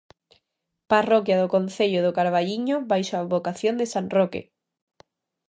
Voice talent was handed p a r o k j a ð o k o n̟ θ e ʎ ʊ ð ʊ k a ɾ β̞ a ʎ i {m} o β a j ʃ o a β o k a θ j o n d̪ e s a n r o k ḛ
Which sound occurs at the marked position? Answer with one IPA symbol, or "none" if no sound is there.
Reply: ɲ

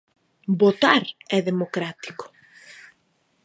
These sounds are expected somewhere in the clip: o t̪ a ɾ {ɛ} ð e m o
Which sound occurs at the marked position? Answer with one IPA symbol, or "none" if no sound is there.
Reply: ɛ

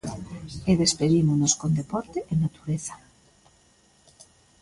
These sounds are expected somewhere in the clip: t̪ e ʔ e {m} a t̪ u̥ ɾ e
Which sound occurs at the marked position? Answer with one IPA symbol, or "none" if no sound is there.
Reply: n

